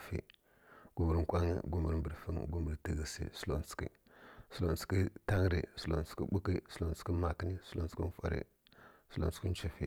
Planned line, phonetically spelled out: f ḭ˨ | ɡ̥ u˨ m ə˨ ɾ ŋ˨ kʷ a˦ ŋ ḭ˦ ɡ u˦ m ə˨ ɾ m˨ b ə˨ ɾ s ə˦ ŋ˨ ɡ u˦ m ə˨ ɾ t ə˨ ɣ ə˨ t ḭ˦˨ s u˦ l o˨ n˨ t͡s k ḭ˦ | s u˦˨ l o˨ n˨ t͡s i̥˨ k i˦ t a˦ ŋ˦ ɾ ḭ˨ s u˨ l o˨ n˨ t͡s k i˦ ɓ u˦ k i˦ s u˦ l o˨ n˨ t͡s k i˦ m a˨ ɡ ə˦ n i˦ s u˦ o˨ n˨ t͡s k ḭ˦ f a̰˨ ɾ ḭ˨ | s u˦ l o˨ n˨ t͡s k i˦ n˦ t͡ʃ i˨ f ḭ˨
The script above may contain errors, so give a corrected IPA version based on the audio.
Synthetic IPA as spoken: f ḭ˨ | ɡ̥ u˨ m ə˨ ɾ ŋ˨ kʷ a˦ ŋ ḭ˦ ɡ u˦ m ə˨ ɾ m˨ b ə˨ ɾ f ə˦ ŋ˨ ɡ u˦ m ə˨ ɾ t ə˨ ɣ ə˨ s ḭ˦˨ s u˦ l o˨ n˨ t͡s k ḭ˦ | s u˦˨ l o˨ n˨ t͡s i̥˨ k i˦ t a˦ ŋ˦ ɾ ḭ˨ s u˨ l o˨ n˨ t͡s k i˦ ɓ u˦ k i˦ s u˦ l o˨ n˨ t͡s k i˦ m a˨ k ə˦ n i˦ s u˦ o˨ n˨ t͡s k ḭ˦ f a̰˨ ɾ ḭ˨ | s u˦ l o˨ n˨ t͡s k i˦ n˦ t͡ʃ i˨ f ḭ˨